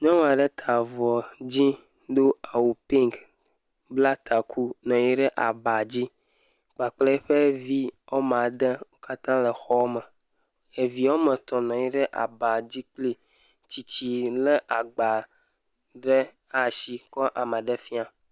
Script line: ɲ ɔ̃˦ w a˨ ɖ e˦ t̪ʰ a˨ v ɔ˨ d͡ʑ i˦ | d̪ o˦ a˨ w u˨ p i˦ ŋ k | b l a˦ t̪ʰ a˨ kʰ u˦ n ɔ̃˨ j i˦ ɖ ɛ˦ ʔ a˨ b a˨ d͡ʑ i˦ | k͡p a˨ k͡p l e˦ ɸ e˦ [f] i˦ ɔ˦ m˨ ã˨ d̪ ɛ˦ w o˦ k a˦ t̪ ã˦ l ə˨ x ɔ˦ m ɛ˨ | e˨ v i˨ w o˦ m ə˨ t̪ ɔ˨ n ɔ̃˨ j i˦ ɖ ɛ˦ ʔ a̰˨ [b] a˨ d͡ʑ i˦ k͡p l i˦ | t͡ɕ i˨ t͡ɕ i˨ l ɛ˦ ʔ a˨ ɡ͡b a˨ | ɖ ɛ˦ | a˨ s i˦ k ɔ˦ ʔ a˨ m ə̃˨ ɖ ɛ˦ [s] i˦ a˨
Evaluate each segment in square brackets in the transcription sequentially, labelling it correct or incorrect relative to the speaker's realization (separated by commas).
incorrect, correct, incorrect